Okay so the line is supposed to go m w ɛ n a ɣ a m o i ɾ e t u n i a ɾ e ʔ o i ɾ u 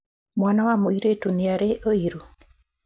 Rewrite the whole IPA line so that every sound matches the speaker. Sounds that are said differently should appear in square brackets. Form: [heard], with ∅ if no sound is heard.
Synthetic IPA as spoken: m w [a] n a [w] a m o i ɾ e t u n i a ɾ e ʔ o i ɾ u